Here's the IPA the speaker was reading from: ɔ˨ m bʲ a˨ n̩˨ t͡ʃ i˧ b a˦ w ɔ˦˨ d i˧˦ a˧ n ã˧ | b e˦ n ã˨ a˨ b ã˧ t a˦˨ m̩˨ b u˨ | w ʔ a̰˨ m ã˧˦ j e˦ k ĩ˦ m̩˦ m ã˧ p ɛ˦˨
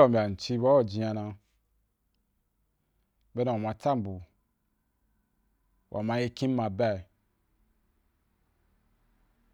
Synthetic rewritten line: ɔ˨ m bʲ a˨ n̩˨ t͡ʃ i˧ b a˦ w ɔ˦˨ d͡ʒ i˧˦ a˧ n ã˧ | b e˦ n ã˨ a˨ m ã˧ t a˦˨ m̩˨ b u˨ | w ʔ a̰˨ m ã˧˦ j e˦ k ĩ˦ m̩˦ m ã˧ b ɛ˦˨